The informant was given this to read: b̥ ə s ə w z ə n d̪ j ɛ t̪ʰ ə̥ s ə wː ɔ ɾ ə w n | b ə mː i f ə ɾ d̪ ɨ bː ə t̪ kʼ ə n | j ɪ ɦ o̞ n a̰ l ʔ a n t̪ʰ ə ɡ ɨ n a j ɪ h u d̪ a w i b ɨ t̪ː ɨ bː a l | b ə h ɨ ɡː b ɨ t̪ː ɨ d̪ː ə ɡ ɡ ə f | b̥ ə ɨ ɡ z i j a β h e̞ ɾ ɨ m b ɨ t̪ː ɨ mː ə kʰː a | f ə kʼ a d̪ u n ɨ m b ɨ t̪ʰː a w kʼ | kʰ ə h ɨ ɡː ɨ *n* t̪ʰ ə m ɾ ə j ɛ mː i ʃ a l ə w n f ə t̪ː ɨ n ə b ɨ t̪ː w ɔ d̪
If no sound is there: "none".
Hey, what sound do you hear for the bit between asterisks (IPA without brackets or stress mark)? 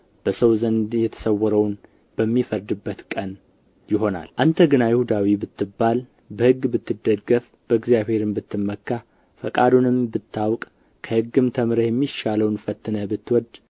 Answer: m